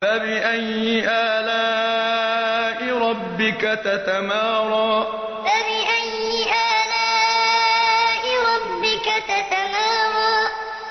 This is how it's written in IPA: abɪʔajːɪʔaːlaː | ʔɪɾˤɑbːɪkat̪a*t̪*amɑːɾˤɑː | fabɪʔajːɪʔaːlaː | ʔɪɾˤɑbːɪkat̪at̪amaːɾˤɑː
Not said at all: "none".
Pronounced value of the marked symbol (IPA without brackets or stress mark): t̪